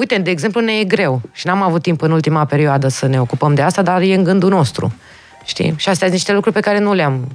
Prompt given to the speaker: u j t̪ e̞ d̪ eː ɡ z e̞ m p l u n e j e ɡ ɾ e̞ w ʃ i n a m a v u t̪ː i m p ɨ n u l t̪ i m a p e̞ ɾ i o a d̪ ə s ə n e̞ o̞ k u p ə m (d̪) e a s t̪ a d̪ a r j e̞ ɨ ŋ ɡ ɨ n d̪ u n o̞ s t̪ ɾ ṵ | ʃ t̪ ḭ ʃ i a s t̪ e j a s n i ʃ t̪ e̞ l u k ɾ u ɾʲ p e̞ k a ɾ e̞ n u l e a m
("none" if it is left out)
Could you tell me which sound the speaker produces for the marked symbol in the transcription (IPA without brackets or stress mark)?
d̪